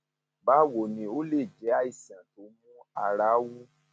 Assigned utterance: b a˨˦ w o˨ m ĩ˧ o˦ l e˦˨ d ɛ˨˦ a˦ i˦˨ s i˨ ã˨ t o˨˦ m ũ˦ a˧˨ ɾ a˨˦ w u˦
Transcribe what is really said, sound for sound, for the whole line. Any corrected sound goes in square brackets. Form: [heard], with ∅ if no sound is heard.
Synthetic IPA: b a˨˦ w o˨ [n] ĩ˧ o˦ l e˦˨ [d͡ʒ] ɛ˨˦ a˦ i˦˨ s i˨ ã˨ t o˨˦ m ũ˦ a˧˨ ɾ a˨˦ w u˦